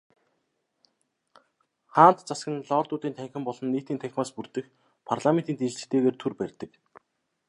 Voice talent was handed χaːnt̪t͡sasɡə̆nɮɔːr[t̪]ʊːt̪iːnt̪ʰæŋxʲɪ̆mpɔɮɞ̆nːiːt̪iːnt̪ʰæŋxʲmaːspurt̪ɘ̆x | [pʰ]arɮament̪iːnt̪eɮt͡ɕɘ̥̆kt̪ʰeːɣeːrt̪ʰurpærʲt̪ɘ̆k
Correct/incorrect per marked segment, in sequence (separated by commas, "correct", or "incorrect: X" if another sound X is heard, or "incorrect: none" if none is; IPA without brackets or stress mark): correct, correct